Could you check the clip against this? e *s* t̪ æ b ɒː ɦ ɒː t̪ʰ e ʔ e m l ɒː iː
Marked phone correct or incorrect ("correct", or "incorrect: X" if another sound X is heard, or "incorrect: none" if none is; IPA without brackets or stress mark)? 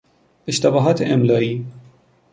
incorrect: ʃ